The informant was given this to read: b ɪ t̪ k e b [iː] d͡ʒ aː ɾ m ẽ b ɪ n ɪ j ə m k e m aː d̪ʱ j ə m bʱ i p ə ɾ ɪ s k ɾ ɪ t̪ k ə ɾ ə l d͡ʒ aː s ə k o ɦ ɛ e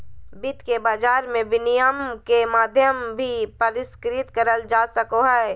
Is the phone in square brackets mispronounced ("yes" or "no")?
yes